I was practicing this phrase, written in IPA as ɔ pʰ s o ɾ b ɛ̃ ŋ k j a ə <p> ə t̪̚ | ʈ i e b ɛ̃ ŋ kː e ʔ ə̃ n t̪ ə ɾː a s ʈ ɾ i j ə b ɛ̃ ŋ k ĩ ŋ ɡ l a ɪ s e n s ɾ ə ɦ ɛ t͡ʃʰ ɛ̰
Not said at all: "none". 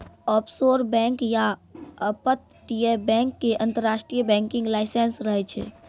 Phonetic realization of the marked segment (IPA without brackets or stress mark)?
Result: p